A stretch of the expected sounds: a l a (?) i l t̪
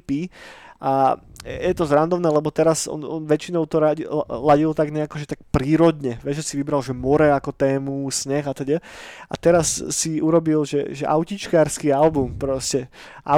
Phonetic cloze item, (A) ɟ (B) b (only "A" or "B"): A